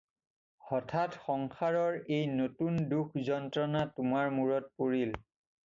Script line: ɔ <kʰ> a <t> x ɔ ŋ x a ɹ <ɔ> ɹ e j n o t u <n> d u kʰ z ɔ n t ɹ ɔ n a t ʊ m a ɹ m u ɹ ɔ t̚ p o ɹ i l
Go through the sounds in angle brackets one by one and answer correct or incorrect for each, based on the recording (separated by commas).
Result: incorrect, correct, correct, correct